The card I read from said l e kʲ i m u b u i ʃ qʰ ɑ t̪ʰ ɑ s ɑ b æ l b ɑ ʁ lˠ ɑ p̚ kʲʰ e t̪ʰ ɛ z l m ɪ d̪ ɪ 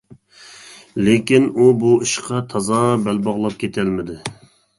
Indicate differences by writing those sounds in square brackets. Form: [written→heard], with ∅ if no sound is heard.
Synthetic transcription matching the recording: l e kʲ i [m→n] u b u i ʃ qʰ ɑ t̪ʰ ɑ [s→z] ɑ b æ l b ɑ ʁ lˠ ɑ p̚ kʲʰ e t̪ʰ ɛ [z→∅] l m ɪ d̪ ɪ